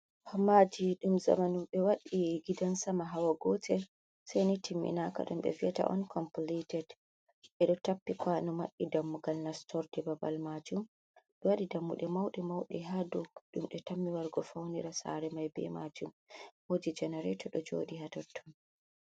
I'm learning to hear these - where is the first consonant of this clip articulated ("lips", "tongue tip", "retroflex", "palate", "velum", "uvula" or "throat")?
throat